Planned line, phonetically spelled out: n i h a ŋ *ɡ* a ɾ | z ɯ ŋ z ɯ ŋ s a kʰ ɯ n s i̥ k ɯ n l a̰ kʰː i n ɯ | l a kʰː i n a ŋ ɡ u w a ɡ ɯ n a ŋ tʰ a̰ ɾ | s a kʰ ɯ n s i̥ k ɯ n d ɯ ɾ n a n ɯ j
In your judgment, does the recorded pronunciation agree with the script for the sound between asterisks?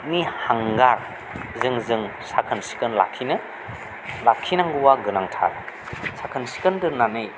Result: yes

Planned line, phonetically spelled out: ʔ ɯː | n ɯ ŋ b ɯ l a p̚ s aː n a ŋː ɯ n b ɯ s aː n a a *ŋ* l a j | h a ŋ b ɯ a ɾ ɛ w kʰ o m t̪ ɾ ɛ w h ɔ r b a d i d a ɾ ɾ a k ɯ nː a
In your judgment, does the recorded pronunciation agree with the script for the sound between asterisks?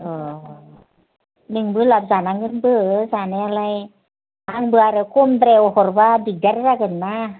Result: no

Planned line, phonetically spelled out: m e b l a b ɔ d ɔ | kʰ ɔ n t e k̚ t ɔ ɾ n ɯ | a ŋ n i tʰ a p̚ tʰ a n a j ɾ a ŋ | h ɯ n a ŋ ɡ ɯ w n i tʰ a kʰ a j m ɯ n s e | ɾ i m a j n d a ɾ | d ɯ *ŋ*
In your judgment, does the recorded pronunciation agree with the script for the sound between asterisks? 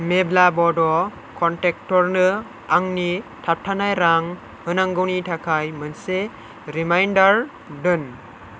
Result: no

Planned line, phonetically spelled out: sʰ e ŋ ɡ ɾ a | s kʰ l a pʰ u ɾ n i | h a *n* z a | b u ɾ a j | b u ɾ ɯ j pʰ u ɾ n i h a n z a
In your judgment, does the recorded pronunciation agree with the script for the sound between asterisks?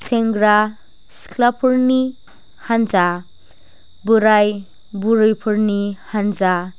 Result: yes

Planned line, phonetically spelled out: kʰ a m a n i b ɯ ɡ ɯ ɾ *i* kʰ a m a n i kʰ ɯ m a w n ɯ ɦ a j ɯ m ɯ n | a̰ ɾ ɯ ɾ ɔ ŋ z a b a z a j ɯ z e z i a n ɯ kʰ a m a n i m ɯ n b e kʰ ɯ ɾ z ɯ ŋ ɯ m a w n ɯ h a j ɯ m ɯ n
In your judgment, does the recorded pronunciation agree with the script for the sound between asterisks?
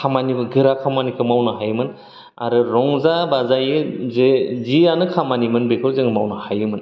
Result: no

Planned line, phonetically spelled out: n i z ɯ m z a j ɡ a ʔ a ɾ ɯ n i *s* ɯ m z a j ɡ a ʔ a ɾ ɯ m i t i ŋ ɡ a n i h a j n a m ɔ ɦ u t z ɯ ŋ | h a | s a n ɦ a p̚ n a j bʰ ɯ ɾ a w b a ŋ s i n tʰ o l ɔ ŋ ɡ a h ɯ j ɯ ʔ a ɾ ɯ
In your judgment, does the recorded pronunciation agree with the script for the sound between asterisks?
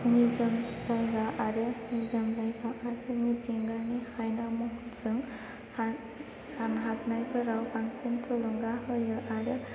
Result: no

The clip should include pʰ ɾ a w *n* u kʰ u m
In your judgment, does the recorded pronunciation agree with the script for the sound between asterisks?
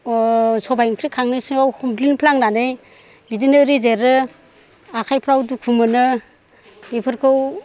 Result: no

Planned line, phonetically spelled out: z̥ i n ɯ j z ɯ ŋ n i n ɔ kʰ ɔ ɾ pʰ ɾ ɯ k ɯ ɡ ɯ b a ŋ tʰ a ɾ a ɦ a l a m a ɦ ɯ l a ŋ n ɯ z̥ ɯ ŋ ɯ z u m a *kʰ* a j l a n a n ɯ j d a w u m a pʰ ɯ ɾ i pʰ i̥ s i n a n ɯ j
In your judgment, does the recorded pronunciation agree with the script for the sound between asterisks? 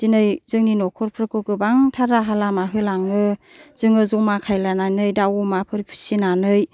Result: yes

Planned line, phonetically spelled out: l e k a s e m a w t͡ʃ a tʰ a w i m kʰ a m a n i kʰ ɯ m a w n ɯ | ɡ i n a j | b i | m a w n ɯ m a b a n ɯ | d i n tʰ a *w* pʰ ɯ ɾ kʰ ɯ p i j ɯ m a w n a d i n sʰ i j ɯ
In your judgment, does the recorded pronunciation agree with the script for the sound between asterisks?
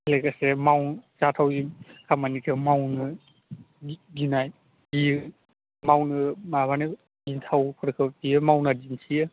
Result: yes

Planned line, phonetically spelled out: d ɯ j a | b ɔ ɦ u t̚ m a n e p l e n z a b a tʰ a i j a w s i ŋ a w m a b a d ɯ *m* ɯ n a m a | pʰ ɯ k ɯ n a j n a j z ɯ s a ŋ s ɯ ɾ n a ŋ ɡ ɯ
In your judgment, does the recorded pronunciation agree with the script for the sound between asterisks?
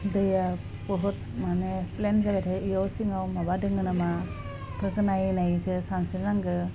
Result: no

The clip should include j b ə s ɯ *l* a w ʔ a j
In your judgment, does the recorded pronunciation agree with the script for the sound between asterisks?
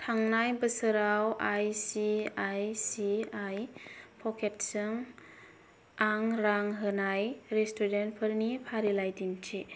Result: no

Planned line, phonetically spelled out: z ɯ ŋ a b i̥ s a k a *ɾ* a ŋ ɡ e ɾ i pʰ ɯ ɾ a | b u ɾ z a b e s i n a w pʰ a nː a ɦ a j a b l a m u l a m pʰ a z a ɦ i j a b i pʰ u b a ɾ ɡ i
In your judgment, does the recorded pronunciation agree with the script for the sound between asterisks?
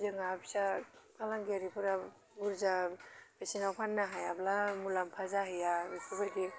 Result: no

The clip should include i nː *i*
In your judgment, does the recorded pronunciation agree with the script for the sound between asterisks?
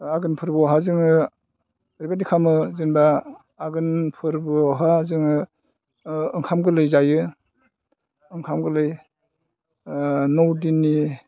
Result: yes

